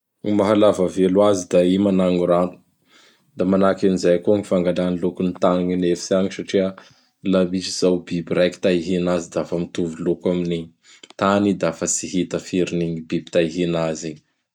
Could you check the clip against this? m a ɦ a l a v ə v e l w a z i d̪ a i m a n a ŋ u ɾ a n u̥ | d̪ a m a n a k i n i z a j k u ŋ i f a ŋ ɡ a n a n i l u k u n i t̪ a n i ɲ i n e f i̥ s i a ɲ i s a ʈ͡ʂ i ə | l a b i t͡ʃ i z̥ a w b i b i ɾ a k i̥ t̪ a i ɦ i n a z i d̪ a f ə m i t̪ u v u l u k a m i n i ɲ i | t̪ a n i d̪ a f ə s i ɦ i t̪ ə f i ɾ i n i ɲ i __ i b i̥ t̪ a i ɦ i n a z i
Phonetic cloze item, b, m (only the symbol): b